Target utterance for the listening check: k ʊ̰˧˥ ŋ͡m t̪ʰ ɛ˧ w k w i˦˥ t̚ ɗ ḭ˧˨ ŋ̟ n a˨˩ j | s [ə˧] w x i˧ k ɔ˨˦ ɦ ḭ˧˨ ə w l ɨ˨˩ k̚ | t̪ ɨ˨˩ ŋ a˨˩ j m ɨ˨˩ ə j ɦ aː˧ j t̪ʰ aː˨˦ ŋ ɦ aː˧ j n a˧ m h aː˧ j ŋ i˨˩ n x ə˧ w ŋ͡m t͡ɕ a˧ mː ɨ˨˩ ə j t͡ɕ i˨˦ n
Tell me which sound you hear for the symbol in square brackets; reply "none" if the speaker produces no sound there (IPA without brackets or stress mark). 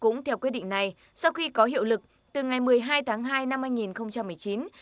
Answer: a˧